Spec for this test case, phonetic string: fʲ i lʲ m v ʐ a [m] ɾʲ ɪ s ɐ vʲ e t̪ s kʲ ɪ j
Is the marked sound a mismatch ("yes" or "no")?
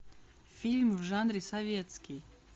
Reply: yes